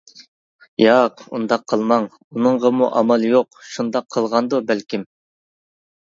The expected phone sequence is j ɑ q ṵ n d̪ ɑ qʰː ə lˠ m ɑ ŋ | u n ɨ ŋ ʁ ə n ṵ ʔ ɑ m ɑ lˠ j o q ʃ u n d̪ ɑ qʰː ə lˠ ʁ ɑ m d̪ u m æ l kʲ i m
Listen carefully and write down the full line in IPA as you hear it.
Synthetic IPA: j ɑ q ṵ n d̪ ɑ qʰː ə lˠ m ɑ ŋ | u n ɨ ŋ ʁ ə m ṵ ʔ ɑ m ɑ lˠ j o q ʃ u n d̪ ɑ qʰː ə lˠ ʁ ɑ n d̪ u b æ l kʲ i m